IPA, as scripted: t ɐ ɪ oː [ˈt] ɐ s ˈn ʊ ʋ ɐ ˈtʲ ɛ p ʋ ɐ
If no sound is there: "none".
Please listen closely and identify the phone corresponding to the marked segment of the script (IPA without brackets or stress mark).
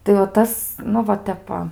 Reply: t